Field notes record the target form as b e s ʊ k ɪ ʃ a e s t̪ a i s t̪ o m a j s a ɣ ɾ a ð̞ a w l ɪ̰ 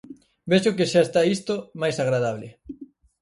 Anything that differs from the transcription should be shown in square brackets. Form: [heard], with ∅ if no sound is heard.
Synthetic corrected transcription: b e [ʃ] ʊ k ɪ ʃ a e s t̪ a i s t̪ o m a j s a ɣ ɾ a ð̞ a [β] l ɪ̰